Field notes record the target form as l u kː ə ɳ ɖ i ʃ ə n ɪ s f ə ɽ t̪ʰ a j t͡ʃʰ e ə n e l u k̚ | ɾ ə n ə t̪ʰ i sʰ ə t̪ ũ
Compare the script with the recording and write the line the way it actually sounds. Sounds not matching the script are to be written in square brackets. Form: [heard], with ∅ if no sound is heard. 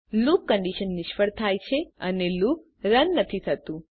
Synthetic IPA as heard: l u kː ə ɳ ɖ i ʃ ə [nː] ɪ [ʃ] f ə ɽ t̪ʰ a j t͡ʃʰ e ə n e l u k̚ | ɾ ə [nː] ə t̪ʰ i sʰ ə t̪ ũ